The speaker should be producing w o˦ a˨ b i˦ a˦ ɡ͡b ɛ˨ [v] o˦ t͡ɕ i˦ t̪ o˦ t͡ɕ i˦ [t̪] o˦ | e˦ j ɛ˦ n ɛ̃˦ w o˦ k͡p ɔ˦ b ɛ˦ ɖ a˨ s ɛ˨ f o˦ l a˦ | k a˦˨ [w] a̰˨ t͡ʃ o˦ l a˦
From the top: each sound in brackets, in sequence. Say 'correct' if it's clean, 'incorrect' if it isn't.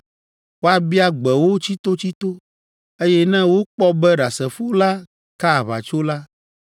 incorrect: w, correct, incorrect: β

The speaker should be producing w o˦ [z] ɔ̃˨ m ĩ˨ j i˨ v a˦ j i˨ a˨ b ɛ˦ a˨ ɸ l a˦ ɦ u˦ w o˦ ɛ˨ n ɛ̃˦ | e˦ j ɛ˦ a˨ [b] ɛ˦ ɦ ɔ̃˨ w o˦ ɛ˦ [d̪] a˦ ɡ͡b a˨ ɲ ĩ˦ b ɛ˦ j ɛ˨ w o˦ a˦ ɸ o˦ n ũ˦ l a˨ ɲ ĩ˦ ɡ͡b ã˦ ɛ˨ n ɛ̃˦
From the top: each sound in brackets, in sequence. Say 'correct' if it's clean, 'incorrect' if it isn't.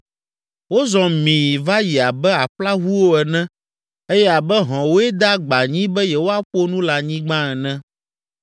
correct, correct, correct

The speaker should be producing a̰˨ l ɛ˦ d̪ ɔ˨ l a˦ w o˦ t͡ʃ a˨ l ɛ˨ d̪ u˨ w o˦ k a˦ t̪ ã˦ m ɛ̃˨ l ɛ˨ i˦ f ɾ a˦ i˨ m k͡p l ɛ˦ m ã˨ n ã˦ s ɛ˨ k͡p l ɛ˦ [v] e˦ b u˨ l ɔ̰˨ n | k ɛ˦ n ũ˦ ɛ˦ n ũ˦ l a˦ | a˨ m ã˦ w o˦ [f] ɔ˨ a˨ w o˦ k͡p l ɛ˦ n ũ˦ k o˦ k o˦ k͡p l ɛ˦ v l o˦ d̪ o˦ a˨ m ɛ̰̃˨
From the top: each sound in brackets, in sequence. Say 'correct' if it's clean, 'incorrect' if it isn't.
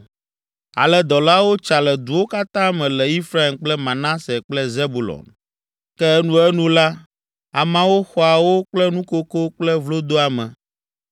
incorrect: z, incorrect: x

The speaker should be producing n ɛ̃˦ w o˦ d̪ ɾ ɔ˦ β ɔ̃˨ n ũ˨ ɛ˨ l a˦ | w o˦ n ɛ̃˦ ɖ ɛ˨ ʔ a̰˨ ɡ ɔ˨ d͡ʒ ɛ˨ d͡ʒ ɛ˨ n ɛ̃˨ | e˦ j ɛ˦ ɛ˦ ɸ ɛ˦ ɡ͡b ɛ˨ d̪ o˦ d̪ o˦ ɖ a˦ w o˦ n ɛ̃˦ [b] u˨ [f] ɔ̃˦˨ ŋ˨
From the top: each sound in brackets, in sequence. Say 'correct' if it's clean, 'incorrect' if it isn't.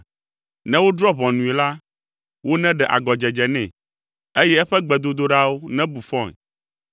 correct, correct

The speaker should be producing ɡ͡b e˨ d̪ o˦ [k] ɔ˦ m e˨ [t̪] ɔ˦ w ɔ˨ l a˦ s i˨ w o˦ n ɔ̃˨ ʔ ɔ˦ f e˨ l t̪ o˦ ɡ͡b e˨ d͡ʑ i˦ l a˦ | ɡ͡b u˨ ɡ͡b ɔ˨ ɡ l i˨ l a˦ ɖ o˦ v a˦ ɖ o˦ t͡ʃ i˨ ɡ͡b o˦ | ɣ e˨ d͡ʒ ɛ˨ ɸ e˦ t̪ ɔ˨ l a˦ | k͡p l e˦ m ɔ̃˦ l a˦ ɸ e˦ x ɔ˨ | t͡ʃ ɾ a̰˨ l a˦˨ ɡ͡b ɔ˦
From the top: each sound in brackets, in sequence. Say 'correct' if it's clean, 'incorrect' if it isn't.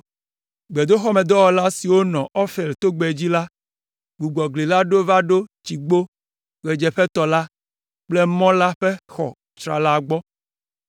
incorrect: x, incorrect: d̪

